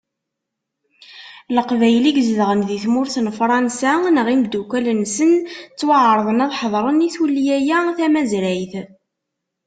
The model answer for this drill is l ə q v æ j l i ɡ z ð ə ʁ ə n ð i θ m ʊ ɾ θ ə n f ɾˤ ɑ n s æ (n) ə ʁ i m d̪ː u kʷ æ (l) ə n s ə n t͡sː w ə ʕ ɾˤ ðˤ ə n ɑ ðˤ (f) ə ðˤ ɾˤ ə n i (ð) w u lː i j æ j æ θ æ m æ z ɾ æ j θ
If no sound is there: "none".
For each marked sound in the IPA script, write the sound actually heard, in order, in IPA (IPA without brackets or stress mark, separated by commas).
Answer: n, l, ħ, θ